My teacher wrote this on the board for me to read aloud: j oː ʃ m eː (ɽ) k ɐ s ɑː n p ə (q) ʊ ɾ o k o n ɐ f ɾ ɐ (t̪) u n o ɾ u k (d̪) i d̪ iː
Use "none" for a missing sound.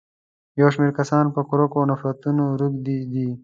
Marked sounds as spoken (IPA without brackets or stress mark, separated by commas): ɾ, k, t̪, d̪